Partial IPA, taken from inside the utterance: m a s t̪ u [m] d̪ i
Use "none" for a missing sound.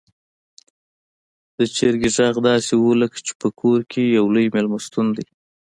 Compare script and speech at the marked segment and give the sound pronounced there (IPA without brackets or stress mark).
n